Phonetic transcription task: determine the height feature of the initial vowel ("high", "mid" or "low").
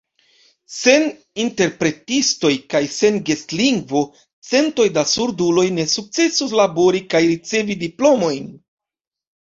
mid